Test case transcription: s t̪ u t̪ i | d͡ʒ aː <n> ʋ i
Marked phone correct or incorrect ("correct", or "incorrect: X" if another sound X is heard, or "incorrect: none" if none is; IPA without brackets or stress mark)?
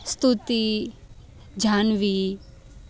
correct